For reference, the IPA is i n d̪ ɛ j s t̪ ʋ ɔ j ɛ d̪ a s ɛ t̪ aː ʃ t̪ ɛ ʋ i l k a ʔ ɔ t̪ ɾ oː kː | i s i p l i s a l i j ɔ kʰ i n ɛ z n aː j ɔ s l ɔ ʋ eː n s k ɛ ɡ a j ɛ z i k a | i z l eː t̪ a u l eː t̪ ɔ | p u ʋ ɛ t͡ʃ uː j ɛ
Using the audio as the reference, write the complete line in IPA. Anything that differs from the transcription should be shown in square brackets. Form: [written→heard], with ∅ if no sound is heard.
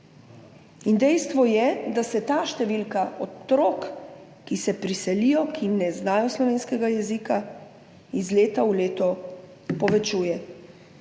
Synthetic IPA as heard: i n d̪ ɛ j s t̪ ʋ ɔ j ɛ d̪ a s ɛ t̪ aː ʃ t̪ ɛ ʋ i l k a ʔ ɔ t̪ ɾ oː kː | i s [i→ɛ] p [l→ɾ] i s [a→ɛ] l i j ɔ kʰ i n ɛ z n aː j ɔ s l ɔ ʋ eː n s k ɛ ɡ a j ɛ z i k a | i z l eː t̪ a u l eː t̪ ɔ | p [u→ɔ] ʋ ɛ t͡ʃ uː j ɛ